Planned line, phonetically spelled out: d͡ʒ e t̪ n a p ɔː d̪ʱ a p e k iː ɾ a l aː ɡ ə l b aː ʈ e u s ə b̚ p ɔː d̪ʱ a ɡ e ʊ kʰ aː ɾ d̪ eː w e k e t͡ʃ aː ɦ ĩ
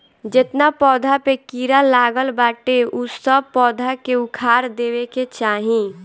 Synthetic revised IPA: d͡ʒ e t̪ n a p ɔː d̪ʱ a p e k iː ɾ a l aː ɡ ə l b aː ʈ e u s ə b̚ p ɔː d̪ʱ a k e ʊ kʰ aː ɾ d̪ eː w e k e t͡ʃ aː ɦ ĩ